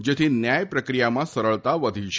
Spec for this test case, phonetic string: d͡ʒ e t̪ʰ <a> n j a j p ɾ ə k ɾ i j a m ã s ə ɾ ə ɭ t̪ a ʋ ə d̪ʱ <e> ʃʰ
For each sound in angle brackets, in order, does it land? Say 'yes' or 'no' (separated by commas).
no, no